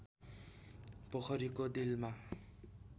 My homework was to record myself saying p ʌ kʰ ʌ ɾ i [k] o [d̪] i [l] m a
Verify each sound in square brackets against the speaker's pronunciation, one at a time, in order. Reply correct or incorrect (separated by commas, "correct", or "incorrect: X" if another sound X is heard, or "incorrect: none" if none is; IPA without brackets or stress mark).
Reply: correct, correct, correct